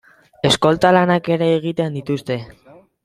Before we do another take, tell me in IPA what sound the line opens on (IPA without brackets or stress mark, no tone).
e̞